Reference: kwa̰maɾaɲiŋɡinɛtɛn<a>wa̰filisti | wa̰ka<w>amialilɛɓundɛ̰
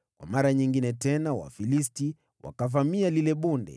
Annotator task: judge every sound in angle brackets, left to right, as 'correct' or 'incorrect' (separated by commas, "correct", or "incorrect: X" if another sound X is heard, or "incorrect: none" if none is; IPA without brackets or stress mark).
correct, incorrect: v